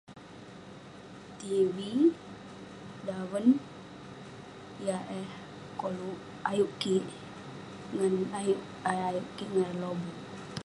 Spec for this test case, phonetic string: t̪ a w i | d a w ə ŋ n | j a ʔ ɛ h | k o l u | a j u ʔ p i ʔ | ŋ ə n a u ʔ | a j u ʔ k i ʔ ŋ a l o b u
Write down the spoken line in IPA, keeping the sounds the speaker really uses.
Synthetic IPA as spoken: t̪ i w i | d a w ə n | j a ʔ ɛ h | k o l u | a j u ʔ k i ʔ | ŋ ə n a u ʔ | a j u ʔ k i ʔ ŋ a l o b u